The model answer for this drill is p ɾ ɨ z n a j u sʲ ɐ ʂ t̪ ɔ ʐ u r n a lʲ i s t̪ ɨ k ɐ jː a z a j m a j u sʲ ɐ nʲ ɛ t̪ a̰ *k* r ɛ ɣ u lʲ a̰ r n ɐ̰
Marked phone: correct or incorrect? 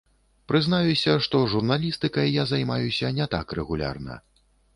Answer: correct